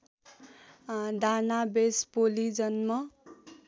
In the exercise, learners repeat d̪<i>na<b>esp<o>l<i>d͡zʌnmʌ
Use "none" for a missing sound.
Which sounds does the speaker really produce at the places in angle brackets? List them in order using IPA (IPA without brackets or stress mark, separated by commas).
a, b, o, i